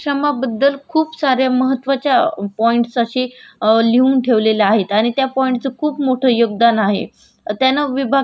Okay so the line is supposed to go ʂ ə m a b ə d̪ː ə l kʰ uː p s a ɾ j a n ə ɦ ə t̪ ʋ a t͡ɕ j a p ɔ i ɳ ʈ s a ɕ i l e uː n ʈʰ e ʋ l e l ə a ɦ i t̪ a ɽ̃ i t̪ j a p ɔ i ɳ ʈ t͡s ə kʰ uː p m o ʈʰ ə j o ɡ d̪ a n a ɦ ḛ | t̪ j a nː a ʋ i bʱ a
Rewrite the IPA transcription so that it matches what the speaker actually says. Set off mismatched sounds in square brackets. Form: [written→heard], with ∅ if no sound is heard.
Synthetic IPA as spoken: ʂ ə m a b ə d̪ː ə l kʰ uː p s a ɾ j a [n→m] ə ɦ ə t̪ ʋ a t͡ɕ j a p ɔ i ɳ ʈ s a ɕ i l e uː n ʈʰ e ʋ l e l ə a ɦ [i→e] t̪ a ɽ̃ i t̪ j a p ɔ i ɳ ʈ t͡s ə kʰ uː p m o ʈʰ ə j o ɡ d̪ a n a ɦ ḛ | t̪ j a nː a ʋ i bʱ a